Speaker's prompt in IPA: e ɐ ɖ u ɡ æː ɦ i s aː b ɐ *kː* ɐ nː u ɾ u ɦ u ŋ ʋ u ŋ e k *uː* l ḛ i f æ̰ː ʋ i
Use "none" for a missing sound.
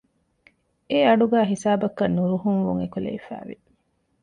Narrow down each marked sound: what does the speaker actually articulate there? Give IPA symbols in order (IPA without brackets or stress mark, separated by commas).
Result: kː, u